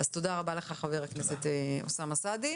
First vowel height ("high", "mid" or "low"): low